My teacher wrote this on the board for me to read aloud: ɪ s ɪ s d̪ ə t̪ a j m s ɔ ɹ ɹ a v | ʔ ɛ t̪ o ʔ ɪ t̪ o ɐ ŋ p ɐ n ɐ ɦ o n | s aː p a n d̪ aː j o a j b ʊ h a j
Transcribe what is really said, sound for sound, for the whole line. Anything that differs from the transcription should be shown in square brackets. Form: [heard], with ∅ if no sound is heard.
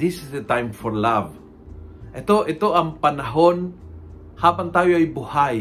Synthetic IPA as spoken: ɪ s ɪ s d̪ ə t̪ a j m [f] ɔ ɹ [l] a v | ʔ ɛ t̪ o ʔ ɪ t̪ o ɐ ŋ p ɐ n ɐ ɦ o n | [h] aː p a n [t̪] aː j o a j b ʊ h a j